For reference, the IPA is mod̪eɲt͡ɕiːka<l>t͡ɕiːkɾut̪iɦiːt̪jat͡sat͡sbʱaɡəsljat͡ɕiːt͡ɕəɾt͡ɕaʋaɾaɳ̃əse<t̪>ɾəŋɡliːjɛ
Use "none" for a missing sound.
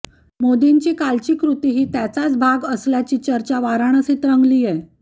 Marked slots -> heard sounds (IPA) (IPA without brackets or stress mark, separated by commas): l, t̪